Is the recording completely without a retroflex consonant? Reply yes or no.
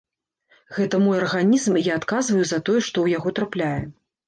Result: no